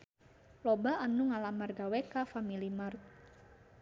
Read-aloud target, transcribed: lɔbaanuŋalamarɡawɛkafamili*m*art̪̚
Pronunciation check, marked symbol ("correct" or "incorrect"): correct